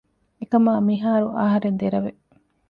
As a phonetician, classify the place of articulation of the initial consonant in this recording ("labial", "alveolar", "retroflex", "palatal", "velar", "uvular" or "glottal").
velar